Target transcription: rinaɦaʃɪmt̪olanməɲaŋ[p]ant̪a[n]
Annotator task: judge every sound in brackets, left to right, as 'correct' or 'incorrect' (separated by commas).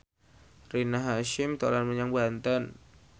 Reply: incorrect, correct